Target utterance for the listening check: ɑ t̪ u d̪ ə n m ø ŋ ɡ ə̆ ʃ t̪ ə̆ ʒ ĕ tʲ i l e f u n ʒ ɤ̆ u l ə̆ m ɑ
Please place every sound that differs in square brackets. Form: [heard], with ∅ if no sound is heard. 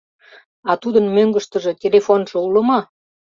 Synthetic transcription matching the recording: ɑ t̪ u d̪ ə n m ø ŋ ɡ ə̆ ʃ t̪ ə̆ ʒ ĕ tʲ [e] l e f [o] n ʒ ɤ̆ u l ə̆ m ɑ